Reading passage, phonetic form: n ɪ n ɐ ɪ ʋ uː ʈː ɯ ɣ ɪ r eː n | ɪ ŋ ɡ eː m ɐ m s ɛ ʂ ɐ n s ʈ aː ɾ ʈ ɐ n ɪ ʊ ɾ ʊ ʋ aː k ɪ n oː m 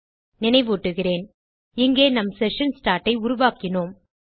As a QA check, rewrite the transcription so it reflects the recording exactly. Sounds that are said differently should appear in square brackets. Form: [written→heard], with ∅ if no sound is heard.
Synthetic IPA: n ɪ n ɐ ɪ ʋ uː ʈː ɯ ɣ ɪ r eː n | ɪ ŋ ɡ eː [m→n] ɐ m s ɛ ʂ ɐ n s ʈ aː ɾ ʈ ɐ [n→∅] ɪ ʊ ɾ ʊ ʋ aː k ɪ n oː m